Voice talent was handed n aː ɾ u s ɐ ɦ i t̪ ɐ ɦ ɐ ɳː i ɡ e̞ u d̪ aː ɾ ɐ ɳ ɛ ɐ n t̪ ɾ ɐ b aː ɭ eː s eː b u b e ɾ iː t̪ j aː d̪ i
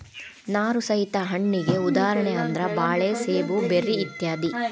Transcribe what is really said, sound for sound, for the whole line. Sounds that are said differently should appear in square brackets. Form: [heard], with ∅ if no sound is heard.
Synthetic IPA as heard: n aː ɾ u s ɐ ɦ i t̪ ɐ ɦ ɐ ɳː i ɡ e̞ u d̪ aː ɾ ɐ ɳ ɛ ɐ n [d̪] ɾ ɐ b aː ɭ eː s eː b u b e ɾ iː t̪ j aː d̪ i